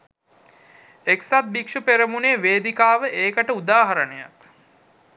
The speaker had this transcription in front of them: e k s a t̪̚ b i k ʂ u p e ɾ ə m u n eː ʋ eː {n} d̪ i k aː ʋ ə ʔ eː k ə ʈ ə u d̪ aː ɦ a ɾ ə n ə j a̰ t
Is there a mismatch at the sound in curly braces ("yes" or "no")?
yes